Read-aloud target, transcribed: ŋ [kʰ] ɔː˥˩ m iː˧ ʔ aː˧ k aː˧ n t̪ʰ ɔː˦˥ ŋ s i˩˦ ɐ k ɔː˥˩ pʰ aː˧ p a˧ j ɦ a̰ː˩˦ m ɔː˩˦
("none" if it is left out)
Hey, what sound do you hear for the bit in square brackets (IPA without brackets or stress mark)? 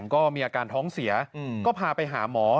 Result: k